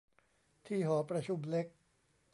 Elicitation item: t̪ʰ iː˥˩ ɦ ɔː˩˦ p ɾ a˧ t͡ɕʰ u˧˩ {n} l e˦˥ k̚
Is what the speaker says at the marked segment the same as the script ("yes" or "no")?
no